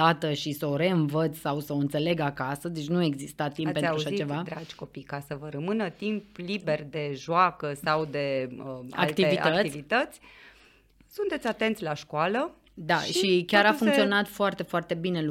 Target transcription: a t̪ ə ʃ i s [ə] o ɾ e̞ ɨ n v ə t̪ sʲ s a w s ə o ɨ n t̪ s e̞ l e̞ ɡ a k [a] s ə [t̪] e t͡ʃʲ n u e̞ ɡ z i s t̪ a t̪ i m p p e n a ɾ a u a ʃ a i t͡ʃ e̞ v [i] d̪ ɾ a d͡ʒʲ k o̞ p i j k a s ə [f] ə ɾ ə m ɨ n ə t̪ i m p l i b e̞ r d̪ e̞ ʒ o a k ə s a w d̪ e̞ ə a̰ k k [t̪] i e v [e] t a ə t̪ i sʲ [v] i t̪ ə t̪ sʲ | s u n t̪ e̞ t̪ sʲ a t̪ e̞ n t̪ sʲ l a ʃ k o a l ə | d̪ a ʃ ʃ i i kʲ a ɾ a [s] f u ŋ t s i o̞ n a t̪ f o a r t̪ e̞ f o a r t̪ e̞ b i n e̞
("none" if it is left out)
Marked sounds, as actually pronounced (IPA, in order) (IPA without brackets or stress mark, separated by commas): ə, a, d̪, a, v, t̪, i, v, f